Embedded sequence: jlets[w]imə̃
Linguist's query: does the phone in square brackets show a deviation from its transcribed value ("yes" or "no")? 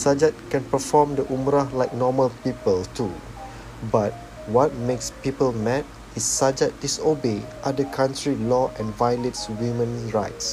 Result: no